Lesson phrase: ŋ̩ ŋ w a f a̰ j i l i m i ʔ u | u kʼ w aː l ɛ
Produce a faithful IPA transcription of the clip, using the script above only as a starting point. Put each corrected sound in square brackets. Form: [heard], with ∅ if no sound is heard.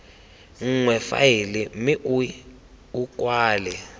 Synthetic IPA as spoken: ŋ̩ ŋ w [ɛ] f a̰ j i l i m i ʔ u | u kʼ w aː l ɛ